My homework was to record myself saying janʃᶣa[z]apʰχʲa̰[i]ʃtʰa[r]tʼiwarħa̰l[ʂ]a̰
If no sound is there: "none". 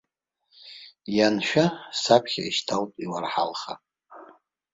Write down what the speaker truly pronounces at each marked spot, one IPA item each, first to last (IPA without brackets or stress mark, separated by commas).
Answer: s, i, l, χ